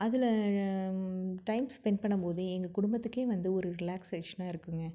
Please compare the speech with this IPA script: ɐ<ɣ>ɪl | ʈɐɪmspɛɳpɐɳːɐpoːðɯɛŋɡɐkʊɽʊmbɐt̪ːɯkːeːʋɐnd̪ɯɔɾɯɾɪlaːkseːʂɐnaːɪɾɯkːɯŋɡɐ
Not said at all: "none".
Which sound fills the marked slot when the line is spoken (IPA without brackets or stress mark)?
ð